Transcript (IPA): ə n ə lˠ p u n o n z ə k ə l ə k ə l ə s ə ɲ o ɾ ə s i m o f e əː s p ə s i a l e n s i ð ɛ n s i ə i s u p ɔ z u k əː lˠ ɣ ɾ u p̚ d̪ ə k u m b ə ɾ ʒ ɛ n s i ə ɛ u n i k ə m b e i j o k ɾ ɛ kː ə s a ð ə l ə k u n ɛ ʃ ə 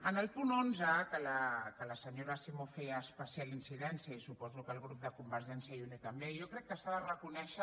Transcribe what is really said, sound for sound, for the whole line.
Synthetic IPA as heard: ə n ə lˠ p u n o n z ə k ə l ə k ə l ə s ə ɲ o ɾ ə s i m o f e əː s p ə s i a l i n s i ð ɛ n s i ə i s u p ɔ z u k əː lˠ ɣ ɾ u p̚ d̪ ə k u m b ə ɾ ʒ ɛ n s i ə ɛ u n i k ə m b e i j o k ɾ ɛ kː ə s a ð ə r ə k u n ɛ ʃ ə